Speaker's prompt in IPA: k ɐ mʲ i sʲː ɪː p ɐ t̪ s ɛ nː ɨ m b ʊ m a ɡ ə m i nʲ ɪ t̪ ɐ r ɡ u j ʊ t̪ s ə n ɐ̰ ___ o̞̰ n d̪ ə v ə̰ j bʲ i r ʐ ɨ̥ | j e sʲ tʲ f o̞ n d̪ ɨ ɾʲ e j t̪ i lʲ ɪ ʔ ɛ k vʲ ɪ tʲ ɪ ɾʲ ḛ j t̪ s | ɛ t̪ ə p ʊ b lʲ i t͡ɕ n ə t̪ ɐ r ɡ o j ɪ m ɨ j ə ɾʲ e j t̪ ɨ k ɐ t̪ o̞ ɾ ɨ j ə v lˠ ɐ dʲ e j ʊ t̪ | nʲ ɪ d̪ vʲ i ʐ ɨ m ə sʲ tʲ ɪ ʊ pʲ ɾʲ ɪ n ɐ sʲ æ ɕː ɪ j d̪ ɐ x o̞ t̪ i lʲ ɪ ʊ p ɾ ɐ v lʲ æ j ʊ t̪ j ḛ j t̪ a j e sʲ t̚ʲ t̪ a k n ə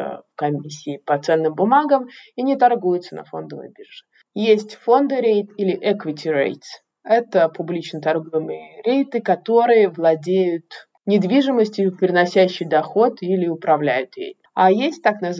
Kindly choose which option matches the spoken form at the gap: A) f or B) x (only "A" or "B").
A